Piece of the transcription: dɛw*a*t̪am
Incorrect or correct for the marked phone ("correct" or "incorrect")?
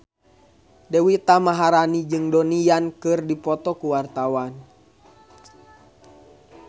incorrect